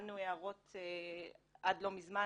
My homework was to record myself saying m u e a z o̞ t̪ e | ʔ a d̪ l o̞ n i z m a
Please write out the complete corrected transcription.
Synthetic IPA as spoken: n u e a ʁ o̞ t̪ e | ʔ a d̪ l o̞ m i z m a